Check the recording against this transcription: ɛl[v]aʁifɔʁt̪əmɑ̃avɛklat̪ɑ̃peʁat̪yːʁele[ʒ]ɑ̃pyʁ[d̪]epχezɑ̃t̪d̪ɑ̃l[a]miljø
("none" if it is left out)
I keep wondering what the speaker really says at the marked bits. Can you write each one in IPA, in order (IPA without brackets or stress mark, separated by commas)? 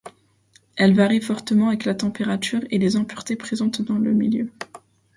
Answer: v, z, t̪, ə